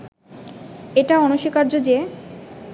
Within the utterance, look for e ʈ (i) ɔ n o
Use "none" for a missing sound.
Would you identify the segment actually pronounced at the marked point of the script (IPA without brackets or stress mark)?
a